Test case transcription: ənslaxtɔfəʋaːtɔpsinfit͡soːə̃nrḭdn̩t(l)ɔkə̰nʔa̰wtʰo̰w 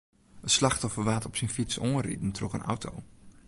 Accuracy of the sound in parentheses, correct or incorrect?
incorrect